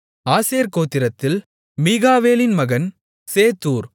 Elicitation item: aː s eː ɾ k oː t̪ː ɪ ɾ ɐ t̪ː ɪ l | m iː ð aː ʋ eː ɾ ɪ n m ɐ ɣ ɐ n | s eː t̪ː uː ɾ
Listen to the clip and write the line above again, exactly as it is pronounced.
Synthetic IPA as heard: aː s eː ɾ k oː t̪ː ɪ ɾ ɐ t̪ː ɪ l | m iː ɣ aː ʋ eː l ɪ n m ɐ ɣ ɐ n | s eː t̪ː uː ɾ